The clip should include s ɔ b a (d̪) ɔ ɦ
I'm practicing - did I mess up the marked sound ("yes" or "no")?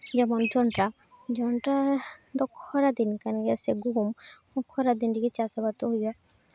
yes